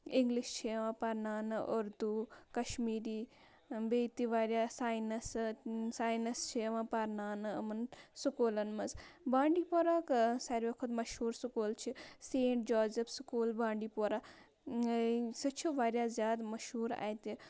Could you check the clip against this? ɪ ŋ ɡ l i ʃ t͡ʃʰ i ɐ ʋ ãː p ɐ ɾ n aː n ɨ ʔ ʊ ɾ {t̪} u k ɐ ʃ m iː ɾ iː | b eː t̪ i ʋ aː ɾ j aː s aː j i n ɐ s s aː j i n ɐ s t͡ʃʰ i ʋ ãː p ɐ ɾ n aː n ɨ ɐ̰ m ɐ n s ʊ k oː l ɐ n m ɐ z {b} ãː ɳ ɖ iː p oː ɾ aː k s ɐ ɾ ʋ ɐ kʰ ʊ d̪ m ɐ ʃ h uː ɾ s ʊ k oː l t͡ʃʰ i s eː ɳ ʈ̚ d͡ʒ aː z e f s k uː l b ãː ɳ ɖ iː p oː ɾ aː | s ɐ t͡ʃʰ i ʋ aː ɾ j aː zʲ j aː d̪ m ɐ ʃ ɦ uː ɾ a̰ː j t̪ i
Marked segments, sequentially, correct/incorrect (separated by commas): incorrect, correct